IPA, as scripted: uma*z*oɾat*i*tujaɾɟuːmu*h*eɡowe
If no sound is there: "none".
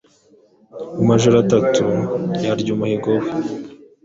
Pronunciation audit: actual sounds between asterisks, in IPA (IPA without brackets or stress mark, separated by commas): ʒ, a, h